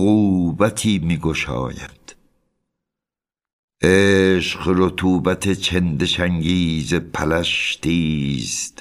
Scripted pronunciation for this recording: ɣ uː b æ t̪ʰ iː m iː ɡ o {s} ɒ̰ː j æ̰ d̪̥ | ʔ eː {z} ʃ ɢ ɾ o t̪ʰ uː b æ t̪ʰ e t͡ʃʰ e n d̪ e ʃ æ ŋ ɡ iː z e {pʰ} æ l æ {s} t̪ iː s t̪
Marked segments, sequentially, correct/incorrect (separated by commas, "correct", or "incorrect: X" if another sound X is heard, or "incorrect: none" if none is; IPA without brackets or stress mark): incorrect: ʃ, incorrect: none, correct, incorrect: ʃ